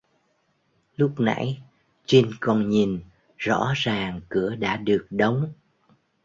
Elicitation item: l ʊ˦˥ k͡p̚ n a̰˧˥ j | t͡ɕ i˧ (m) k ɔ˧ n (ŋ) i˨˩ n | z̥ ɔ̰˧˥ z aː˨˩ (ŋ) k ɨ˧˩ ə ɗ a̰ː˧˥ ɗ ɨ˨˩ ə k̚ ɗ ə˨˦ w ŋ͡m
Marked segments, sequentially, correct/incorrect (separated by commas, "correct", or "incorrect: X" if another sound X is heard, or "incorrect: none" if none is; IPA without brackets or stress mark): incorrect: n, incorrect: ɲ, correct